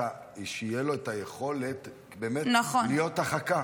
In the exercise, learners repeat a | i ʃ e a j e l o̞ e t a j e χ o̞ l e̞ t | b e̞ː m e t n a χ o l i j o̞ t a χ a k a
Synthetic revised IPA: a | i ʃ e i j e l o̞ e t a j e χ o̞ l e̞ t | b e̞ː m e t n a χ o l i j o̞ t a χ a k a